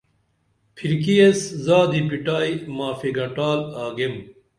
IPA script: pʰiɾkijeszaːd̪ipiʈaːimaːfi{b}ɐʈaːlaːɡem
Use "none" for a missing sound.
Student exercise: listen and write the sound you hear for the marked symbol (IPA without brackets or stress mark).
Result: ɡ